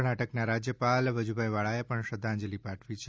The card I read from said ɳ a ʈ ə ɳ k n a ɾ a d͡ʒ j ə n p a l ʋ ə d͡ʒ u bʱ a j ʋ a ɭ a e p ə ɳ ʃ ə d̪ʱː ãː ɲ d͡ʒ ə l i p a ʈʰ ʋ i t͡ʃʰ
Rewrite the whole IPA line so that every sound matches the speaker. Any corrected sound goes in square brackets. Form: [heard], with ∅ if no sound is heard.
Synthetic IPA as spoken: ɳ a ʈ ə [∅] k n a ɾ a d͡ʒ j ə [∅] p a l ʋ ə d͡ʒ u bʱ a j ʋ a ɭ a e p ə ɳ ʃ ə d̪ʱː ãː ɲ d͡ʒ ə l i p a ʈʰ ʋ i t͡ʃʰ